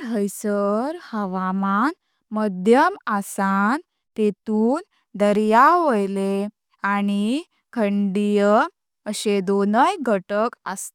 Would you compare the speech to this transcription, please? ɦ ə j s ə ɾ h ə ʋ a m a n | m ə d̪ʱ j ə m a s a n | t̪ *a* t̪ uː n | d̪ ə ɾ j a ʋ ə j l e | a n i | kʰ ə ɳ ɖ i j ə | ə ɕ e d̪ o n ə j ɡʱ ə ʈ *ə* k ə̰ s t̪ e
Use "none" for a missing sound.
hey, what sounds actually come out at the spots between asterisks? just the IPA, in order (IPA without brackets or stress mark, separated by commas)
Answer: e, ə